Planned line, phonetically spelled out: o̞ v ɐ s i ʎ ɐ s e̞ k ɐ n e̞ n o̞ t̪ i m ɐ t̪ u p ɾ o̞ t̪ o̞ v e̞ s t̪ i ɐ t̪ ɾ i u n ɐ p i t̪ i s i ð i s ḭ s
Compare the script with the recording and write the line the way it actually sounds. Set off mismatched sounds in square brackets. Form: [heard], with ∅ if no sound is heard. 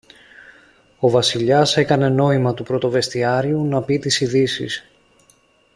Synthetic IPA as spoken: o̞ v ɐ s i ʎ ɐ s e̞ k ɐ n e̞ n o̞ [∅] i m ɐ t̪ u p ɾ o̞ t̪ o̞ v e̞ s t̪ i ɐ [∅] ɾ i u n ɐ p i t̪ i s i ð i s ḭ s